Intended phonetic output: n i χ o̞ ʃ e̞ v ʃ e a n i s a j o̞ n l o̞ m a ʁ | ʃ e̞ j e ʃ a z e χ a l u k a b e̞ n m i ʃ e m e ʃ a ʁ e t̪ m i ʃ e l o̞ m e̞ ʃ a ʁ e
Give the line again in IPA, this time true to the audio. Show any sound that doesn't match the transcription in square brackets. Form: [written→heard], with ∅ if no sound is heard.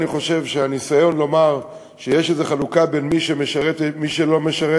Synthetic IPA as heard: n i χ o̞ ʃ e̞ v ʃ e a n i s a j o̞ n l o̞ m a ʁ | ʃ e̞ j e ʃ [a→e] z e χ a l u k a b e̞ n m i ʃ e m e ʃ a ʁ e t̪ m i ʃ e l o̞ m e̞ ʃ a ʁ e